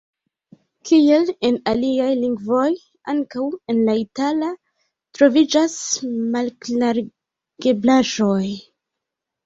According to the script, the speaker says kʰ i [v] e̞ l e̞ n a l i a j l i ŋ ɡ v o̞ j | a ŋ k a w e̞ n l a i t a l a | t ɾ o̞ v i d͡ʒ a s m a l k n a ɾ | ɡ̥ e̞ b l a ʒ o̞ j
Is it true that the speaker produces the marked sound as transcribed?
no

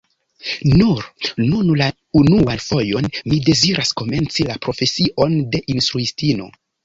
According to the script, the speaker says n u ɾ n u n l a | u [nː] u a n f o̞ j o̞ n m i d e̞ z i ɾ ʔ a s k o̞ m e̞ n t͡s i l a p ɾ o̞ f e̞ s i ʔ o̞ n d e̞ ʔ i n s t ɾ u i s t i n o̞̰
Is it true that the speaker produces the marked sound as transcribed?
no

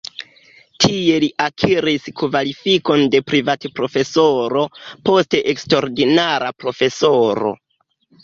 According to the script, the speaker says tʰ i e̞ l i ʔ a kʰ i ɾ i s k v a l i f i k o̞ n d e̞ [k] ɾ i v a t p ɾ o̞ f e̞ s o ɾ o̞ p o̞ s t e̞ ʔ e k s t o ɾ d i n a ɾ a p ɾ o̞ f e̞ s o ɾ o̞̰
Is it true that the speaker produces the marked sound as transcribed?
no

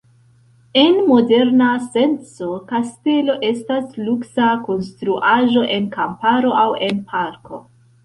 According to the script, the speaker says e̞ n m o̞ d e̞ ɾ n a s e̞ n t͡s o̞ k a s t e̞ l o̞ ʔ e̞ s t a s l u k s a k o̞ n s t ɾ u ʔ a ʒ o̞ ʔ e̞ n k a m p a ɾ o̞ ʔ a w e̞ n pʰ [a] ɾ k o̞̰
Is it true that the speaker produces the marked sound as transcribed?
yes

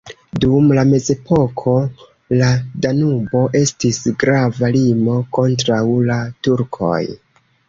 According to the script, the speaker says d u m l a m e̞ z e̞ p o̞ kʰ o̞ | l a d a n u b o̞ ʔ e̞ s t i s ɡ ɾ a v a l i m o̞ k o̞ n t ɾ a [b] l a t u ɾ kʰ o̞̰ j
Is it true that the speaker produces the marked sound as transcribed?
no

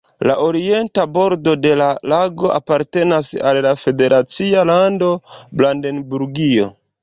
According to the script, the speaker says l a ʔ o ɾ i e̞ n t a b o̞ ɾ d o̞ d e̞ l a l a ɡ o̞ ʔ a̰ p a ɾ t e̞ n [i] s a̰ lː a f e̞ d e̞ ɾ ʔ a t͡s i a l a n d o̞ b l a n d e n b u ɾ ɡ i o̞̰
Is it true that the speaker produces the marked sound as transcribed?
no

